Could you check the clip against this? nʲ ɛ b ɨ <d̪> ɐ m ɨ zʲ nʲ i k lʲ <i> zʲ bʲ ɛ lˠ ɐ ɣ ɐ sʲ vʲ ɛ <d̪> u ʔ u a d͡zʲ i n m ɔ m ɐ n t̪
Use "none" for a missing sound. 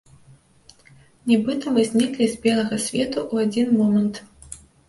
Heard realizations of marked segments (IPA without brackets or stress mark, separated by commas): t̪, i, t̪